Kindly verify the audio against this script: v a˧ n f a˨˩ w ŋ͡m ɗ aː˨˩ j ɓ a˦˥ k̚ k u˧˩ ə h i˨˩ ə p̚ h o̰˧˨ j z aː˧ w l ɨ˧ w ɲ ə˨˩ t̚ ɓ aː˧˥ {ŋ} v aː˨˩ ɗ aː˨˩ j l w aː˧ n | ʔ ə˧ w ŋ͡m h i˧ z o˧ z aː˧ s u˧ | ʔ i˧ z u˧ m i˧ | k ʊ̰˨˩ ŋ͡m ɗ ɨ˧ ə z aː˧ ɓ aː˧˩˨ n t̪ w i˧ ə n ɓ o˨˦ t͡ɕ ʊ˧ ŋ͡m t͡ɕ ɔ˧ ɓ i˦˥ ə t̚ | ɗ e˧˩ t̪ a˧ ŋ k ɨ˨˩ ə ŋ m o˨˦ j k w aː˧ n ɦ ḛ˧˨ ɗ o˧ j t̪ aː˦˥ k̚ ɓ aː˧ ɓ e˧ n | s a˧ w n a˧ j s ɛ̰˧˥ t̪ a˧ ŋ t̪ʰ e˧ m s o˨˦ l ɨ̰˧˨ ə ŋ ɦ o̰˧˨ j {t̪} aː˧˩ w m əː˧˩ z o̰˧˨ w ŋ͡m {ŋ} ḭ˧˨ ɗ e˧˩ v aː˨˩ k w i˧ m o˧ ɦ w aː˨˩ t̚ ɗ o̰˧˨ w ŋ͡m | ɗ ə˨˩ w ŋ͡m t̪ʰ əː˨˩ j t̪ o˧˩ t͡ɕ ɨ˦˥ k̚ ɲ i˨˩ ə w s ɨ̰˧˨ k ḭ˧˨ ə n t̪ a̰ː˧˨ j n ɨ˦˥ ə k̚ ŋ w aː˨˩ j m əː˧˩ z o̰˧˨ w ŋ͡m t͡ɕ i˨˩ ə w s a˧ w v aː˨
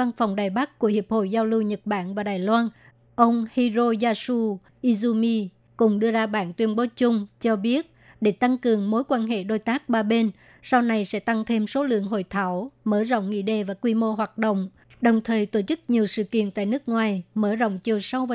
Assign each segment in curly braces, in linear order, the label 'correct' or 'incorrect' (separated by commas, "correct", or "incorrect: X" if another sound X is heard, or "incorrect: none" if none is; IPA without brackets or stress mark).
incorrect: n, incorrect: t̪ʰ, correct